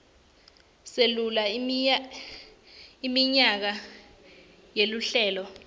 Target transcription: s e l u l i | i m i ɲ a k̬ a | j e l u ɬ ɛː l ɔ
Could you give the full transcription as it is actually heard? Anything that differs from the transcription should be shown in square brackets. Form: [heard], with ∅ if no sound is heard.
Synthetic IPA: s e l u l [a] | i m i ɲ a k̬ a | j e l u ɬ ɛː l ɔ